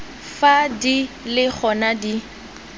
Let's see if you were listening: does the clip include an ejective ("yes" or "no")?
no